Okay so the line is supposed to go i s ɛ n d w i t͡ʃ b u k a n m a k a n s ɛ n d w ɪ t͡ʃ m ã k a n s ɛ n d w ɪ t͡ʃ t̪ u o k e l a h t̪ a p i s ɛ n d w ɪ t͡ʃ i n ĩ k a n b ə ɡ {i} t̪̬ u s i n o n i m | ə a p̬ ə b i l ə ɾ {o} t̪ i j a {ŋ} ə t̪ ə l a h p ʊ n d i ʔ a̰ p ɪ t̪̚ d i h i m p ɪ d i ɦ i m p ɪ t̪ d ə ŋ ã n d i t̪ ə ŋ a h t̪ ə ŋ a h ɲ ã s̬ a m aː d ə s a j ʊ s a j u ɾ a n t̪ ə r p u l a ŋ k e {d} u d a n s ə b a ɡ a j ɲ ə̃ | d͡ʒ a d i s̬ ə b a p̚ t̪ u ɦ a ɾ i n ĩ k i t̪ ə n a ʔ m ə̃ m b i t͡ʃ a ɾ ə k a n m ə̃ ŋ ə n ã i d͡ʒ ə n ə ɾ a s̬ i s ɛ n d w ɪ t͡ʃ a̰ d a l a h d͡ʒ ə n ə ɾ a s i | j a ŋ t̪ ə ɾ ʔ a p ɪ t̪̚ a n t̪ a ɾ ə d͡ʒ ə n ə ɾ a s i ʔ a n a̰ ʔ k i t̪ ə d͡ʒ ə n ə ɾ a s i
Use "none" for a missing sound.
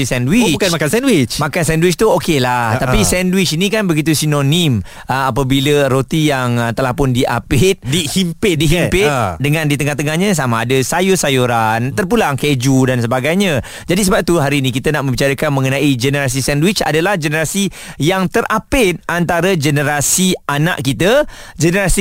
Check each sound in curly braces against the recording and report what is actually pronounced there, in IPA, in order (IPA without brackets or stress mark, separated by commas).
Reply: i, o, ŋ, d͡ʒ